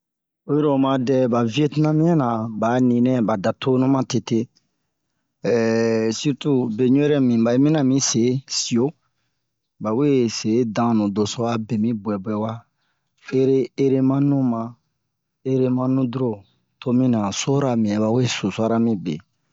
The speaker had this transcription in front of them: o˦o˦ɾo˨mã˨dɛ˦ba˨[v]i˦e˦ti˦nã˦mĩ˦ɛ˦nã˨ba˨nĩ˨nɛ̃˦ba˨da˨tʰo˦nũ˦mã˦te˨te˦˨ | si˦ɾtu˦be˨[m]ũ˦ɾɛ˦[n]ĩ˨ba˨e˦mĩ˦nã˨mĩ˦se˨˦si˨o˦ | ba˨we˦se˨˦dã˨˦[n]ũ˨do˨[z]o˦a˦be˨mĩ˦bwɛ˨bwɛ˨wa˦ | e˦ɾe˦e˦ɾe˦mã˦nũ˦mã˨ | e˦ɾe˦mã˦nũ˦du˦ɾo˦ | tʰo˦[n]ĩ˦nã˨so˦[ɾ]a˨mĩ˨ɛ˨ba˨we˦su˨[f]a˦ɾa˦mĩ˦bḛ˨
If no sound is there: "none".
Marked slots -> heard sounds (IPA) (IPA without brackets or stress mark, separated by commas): v, ɲ, m, n, s, m, ɾ, s